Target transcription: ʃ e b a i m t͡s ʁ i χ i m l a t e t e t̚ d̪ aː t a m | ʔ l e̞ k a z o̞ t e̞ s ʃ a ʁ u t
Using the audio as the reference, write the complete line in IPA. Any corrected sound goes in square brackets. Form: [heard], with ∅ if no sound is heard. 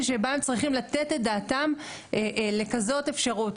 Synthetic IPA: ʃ e b a [e] m t͡s ʁ i χ i m l a t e t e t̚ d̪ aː t a m | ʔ l e̞ k a z o̞ t e̞ [f] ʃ a ʁ u t